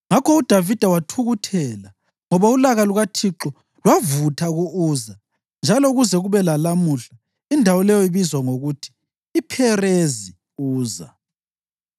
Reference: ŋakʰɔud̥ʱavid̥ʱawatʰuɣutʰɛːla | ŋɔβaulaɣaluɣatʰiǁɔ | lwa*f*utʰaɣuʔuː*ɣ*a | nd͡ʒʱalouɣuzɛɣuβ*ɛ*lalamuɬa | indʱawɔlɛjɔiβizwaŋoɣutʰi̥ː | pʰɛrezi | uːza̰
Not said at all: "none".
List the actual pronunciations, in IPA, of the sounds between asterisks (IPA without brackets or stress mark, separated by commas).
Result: v, z, ɛ